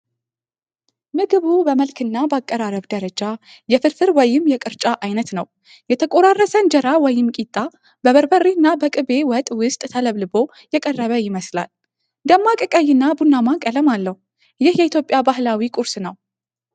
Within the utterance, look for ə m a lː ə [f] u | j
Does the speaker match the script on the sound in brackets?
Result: no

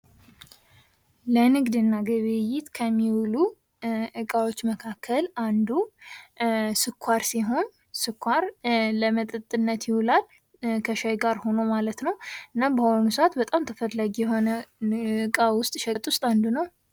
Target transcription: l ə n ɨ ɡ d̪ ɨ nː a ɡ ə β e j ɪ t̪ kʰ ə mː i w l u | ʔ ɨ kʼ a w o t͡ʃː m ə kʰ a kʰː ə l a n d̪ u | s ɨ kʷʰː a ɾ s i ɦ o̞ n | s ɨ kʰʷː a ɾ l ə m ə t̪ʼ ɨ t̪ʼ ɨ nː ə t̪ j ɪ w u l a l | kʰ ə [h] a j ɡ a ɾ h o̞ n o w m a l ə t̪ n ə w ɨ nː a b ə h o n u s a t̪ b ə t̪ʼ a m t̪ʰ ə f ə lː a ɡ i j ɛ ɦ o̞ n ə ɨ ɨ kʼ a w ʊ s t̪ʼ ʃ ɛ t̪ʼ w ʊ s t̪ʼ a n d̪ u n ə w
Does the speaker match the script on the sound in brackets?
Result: no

